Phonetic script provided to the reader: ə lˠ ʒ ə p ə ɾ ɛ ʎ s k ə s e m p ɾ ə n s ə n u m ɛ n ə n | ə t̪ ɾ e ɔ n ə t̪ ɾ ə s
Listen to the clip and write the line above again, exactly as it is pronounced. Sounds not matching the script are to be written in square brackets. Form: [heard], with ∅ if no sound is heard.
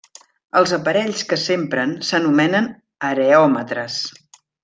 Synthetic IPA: ə lˠ [z] ə p ə ɾ ɛ ʎ s k ə s e m p ɾ ə n s ə n u m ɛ n ə n | ə [∅] ɾ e ɔ [m] ə t̪ ɾ ə s